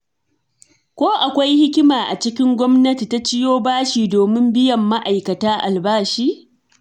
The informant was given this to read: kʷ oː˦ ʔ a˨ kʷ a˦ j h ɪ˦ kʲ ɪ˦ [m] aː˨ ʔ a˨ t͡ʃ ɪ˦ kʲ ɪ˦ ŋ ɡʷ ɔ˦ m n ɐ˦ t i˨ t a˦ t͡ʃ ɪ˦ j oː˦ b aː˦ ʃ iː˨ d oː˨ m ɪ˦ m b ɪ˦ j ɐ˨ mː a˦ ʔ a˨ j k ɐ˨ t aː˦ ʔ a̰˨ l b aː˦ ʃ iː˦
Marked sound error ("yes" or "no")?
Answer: no